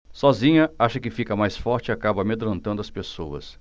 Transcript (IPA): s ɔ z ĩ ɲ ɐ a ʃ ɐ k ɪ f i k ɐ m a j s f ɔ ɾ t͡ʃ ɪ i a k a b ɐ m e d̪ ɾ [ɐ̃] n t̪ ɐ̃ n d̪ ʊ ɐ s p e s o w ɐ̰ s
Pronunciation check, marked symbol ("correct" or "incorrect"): correct